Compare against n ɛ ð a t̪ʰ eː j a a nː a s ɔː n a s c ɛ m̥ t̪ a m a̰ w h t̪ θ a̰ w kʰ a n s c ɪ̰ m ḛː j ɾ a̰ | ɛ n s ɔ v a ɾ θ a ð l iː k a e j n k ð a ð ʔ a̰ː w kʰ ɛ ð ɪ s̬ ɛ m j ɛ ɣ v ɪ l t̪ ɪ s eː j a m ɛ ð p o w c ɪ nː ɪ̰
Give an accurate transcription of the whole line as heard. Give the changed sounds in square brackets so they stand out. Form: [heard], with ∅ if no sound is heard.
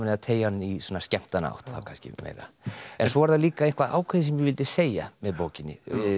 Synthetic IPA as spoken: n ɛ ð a t̪ʰ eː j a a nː [i] s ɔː n a s c ɛ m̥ t̪ a [n] a̰ w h t̪ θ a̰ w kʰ a n s c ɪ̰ m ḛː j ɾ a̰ | ɛ n s ɔ v a ɾ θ a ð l iː k a e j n k [v] a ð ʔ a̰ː w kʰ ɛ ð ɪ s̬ ɛ m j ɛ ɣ v ɪ l t̪ ɪ s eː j a m ɛ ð p o w c ɪ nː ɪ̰

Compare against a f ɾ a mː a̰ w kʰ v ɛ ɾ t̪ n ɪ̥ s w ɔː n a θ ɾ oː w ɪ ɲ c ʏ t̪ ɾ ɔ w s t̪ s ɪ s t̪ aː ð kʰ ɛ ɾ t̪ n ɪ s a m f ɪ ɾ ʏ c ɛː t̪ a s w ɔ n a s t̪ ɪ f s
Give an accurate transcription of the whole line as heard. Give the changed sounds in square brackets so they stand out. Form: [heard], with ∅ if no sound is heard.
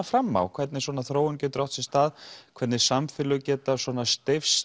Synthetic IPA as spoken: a f ɾ a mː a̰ w kʰ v ɛ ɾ t̪ n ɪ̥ s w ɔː n a θ ɾ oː w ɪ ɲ c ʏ t̪ ɾ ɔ w [h] t̪ s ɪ s t̪ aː ð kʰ ɛ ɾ t̪ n ɪ s a m f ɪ [l] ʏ c ɛː t̪ a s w ɔ n a s t̪ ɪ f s

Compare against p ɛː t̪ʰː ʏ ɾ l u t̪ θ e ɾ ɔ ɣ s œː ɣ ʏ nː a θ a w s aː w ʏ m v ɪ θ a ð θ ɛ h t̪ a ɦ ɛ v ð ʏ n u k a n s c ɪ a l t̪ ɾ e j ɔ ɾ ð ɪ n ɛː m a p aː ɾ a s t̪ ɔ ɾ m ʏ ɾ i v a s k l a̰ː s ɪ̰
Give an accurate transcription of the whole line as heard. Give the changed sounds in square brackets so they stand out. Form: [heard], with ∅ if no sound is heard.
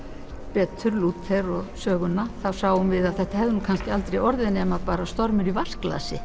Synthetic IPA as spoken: p ɛː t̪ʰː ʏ ɾ l u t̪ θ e ɾ ɔ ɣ s œː ɣ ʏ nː a θ a w s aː w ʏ m v ɪ [ð] a ð θ ɛ h t̪ a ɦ ɛ v ð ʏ n u [kʰ] a n s c ɪ a l t̪ ɾ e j ɔ ɾ ð ɪ n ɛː m a p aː ɾ a s t̪ ɔ ɾ m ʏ ɾ i v a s k l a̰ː s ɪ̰

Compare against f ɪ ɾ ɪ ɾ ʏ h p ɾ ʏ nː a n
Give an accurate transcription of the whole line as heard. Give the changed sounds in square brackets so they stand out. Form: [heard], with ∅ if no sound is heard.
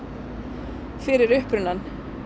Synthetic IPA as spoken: f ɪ ɾ ɪ ɾ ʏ h p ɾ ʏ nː a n

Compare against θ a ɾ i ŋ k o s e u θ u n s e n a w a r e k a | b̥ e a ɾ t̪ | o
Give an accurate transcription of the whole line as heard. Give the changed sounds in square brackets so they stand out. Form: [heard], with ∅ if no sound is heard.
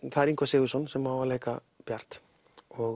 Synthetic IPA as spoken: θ a ɾ i ŋ k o s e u [s] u n s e [m] a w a [l] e k a | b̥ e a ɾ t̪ | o

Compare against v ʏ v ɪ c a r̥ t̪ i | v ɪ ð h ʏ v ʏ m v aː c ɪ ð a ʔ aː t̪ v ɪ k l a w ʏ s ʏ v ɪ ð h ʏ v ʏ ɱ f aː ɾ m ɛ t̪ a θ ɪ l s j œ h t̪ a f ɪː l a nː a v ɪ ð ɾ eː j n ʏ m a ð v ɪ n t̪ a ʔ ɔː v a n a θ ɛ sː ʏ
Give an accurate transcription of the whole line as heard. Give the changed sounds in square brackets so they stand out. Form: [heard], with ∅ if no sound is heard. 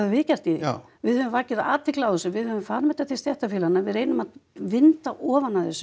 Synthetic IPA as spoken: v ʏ v ɪ c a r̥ t̪ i | v ɪ ð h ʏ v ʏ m v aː c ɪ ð a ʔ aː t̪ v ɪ k l a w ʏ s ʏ v ɪ ð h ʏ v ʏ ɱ f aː ɾ m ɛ t̪ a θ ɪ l s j [ɛ] h t̪ a f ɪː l a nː a v ɪ ð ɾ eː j n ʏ m a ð v ɪ n t̪ a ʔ ɔː v a n a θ ɛ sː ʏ

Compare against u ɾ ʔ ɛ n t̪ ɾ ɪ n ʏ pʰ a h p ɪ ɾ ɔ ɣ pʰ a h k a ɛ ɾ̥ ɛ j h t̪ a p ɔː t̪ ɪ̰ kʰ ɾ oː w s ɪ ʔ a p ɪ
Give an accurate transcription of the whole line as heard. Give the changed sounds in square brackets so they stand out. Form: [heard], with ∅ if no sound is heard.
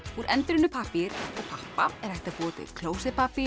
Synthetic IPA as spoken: u ɾ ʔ ɛ n t̪ ɾ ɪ n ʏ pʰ a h p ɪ ɾ ɔ ɣ pʰ a h [p] a ɛ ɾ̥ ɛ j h t̪ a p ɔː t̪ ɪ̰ kʰ [l] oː w s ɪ [p] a p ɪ

